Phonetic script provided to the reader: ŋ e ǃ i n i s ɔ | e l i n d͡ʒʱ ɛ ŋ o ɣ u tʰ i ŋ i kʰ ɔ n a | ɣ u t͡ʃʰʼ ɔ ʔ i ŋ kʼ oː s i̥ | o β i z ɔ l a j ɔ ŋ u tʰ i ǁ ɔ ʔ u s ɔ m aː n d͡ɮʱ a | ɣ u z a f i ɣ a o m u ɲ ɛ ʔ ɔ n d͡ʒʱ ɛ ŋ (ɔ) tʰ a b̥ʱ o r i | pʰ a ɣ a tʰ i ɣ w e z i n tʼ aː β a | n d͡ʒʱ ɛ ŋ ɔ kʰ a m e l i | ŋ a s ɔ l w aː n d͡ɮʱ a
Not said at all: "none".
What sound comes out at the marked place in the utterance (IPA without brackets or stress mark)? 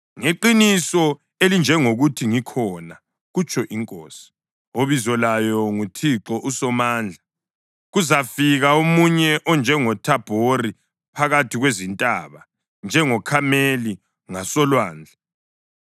ɔ